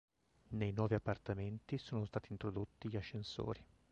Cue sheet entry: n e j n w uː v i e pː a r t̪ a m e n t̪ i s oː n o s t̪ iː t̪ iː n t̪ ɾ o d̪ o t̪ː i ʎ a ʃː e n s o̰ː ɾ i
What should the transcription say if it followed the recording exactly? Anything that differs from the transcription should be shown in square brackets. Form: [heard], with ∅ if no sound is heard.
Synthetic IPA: n e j n w [ɔː] v i [a] pː a r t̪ a m e n t̪ i s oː n o s t̪ [aː] t̪ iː n t̪ ɾ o d̪ o t̪ː i ʎ a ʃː e n s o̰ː ɾ i